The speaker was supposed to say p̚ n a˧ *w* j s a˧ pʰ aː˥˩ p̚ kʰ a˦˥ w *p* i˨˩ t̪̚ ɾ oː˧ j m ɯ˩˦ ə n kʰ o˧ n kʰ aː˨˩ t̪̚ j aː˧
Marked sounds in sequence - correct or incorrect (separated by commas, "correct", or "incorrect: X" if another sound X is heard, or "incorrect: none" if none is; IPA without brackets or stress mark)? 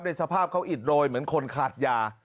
incorrect: none, incorrect: ʔ